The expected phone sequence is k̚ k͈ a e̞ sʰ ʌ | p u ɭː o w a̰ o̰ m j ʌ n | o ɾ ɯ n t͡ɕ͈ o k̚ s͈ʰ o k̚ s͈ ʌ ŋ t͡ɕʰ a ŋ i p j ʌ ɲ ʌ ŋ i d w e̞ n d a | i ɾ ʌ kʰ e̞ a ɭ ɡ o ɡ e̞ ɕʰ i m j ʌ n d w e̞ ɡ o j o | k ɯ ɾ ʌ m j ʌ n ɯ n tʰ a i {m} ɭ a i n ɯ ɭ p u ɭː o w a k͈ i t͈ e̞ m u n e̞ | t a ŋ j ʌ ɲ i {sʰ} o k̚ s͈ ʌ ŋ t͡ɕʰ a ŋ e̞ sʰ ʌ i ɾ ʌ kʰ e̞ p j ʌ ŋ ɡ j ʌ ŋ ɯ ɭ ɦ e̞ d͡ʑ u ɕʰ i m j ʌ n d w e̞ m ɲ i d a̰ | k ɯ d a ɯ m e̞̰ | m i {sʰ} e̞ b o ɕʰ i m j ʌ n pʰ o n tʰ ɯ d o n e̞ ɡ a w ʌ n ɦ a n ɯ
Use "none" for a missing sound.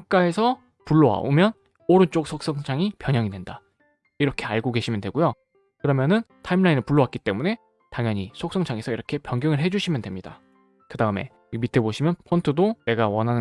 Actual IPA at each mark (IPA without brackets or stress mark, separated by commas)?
m, sʰ, tʰ